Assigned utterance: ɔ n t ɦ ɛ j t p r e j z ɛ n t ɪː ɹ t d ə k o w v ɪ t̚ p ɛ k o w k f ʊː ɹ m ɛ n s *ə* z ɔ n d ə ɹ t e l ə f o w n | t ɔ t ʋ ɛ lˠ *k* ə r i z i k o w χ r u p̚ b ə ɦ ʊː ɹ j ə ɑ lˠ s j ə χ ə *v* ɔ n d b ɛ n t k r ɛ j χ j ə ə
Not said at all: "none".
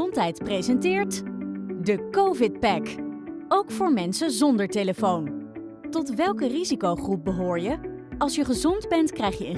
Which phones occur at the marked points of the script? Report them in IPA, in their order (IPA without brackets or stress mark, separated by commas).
ə, k, z